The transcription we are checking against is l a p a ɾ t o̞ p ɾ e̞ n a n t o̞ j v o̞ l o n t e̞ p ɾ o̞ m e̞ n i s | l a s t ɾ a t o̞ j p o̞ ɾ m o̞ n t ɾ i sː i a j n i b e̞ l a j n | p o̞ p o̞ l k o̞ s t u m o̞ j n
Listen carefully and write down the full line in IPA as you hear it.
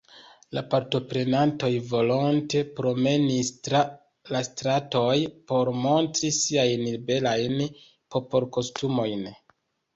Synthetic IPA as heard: l a p a ɾ t o̞ p ɾ e̞ n a n t o̞ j v o̞ l o n t e̞ p ɾ o̞ m e̞ n i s | l a s t ɾ a t o̞ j p o̞ ɾ m o̞ n t ɾ i s i a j n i b e̞ l a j n | p o̞ p o̞ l k o̞ s t u m o̞ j n